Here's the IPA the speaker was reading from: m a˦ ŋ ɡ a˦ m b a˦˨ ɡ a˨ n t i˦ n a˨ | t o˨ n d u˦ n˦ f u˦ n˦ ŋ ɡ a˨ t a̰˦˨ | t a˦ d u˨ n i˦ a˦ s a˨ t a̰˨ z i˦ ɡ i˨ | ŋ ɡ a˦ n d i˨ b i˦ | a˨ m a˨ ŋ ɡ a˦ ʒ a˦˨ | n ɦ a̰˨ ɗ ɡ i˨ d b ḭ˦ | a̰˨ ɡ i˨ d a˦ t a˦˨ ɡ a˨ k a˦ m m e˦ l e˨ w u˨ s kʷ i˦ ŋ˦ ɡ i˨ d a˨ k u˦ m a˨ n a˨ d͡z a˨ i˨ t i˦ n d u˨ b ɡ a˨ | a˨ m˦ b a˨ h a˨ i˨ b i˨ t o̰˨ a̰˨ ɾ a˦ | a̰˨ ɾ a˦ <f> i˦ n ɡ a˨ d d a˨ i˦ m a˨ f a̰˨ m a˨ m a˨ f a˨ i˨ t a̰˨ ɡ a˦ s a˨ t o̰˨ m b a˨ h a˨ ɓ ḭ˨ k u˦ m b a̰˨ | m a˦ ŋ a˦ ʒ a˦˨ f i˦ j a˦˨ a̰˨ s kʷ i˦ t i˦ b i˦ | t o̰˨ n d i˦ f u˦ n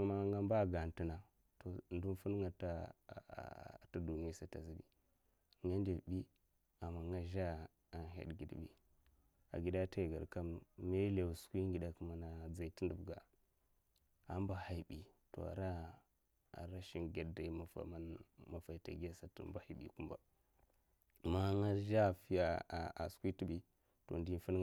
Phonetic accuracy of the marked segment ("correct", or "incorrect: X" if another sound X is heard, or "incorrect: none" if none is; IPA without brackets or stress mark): incorrect: ʃ